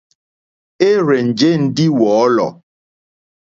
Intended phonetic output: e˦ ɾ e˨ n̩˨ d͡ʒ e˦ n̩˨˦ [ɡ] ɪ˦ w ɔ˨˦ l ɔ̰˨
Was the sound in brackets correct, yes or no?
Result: no